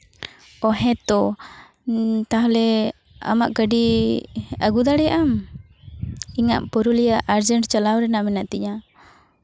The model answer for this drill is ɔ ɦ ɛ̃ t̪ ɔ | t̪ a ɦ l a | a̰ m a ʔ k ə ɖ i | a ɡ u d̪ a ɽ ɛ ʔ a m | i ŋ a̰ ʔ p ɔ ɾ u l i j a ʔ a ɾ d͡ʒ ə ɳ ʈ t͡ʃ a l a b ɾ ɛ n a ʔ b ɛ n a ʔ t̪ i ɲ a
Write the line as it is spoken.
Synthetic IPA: ɔ ɦ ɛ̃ t̪ ɔ | t̪ a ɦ l ɛ | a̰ m a ʔ k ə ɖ i | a ɡ u d̪ a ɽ ɛ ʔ a m | i ŋ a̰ ʔ p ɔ ɾ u l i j a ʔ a ɾ d͡ʒ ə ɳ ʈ t͡ʃ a l a w ɾ ɛ n a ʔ m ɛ n a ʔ t̪ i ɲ a